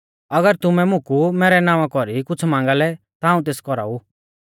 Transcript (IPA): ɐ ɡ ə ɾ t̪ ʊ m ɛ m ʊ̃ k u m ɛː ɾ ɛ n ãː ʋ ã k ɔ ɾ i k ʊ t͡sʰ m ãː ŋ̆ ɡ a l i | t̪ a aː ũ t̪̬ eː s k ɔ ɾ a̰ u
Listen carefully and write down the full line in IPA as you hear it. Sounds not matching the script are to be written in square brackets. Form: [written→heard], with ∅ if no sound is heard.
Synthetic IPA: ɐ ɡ ə ɾ t̪ ʊ m ɛ m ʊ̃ k u m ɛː ɾ ɛ n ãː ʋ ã k ɔ ɾ i k ʊ t͡sʰ m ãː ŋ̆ ɡ a l [i→ɛ] | t̪ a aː ũ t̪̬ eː s k ɔ ɾ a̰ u